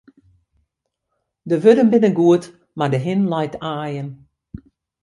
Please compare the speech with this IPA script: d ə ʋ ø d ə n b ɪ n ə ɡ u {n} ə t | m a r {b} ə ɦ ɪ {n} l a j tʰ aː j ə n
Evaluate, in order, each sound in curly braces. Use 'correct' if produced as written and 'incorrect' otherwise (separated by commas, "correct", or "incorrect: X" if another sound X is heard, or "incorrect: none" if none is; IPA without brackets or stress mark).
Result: incorrect: none, incorrect: d, correct